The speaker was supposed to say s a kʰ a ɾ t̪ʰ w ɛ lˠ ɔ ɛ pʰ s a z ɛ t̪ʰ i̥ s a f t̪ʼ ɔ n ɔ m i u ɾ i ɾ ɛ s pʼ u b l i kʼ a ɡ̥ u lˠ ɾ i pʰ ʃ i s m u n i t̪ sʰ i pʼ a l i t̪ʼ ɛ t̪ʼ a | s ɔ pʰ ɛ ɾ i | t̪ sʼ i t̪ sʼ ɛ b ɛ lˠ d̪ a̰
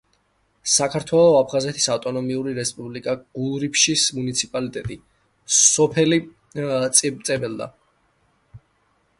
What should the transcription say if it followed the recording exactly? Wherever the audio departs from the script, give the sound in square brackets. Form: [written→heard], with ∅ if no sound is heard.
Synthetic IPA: s a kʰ a ɾ t̪ʰ w ɛ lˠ ɔ [ɛ→a] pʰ [s→χ] a z ɛ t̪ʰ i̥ s a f t̪ʼ ɔ n ɔ m i u ɾ i ɾ ɛ s pʼ u b l i kʼ a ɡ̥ u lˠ ɾ i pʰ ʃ i s m u n i t̪ sʰ i pʼ a l i t̪ʼ ɛ t̪ʼ [a→i] | s ɔ pʰ ɛ [ɾ→l] i | t̪ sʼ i t̪ sʼ ɛ b ɛ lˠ d̪ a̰